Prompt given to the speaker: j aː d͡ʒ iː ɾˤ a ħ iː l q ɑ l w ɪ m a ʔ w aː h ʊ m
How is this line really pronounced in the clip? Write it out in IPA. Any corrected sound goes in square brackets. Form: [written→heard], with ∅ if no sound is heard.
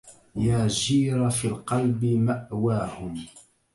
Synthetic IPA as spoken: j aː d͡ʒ iː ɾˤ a [ħ→f] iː l q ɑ l [w→b] ɪ m a ʔ w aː h ʊ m